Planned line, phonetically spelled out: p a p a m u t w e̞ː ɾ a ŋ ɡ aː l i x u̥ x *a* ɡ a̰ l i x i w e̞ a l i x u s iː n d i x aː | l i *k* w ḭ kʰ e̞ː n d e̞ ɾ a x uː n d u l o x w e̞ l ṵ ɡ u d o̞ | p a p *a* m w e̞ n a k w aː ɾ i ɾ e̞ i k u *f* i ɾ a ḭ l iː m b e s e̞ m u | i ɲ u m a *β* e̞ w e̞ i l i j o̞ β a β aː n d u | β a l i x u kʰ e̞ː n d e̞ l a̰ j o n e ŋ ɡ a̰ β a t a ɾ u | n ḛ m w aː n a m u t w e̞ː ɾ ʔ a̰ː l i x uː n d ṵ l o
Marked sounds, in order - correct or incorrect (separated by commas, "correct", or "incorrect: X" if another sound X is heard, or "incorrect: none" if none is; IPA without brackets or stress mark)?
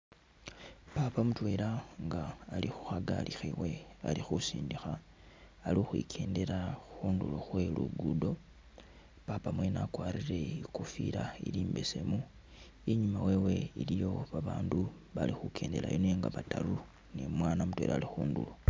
correct, incorrect: x, correct, correct, incorrect: w